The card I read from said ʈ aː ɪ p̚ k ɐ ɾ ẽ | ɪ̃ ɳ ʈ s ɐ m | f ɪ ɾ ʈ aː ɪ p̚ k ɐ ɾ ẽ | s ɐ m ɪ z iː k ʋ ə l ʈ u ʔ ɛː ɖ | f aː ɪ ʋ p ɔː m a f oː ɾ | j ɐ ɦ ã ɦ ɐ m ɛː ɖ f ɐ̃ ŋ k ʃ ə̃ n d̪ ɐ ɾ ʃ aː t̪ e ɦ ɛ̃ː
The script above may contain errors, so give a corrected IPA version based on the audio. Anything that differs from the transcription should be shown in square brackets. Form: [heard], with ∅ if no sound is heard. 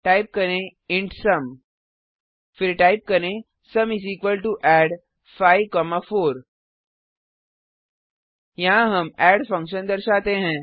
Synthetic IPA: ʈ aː ɪ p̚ k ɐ ɾ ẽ | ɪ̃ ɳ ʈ s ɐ m | f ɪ ɾ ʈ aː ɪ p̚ k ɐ ɾ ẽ | s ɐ m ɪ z iː k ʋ ə l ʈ u ʔ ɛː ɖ | f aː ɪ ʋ [k] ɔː m a f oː ɾ | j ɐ ɦ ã ɦ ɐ m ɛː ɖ f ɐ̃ ŋ k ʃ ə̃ n d̪ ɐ ɾ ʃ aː t̪ e ɦ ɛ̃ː